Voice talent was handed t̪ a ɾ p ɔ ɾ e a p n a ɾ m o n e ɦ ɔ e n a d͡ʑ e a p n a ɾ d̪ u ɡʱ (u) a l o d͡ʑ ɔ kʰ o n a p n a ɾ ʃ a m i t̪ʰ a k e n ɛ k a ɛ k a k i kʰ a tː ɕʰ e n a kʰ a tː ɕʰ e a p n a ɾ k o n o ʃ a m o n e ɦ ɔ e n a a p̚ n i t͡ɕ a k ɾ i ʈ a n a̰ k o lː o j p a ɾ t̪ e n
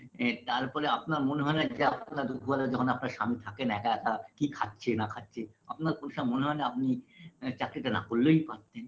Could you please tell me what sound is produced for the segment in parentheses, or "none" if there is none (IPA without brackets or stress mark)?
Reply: u